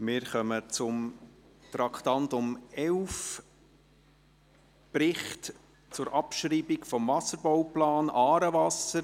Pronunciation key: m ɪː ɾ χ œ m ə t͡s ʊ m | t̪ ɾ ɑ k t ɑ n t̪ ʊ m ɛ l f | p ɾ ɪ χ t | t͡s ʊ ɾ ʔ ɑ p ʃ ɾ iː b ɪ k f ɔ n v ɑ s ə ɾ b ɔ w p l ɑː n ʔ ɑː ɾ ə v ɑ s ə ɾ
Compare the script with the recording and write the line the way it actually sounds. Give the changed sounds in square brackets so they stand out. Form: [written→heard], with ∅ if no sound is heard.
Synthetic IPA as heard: m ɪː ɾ χ œ m ə t͡s ʊ m | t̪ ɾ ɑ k t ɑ n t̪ ʊ m ɛ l f | p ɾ ɪ χ t | t͡s ʊ ɾ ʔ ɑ p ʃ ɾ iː b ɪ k f ɔ [n→m] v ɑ s ə ɾ b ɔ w p l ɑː n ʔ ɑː ɾ ə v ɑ s ə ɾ